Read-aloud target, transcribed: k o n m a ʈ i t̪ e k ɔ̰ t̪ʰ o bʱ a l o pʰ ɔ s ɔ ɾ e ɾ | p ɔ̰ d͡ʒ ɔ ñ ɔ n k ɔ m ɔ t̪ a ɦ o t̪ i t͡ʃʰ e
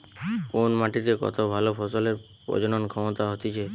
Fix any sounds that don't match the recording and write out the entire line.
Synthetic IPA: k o n m a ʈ i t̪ e k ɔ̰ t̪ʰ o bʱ a l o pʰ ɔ s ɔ l e ɾ | p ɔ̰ d͡ʒ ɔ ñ ɔ n kʰ ɔ m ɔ t̪ a ɦ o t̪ i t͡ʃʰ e